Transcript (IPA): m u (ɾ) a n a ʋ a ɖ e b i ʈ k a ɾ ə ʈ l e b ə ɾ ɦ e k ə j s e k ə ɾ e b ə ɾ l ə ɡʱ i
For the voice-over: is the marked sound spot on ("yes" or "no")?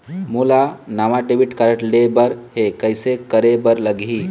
no